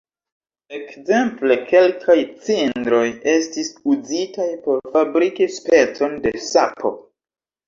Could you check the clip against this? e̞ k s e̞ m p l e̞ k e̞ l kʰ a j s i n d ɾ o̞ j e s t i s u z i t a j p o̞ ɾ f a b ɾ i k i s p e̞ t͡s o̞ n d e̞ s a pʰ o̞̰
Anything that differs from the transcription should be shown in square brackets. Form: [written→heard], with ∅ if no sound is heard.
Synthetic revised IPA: e̞ k [s→z] e̞ m p l e̞ k e̞ l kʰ a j [s→t͡s] i n d ɾ o̞ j e s t i s u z i t a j p o̞ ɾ f a b ɾ i k i s p e̞ t͡s o̞ n d e̞ s a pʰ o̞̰